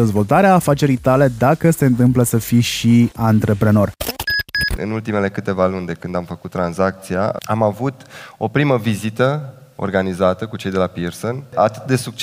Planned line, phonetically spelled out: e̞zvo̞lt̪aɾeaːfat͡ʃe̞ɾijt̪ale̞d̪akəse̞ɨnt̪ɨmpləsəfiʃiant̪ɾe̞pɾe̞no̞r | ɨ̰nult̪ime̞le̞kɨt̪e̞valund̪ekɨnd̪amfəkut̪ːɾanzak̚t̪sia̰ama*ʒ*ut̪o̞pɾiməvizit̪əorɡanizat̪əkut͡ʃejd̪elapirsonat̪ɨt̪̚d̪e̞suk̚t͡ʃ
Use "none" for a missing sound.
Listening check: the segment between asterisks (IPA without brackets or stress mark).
v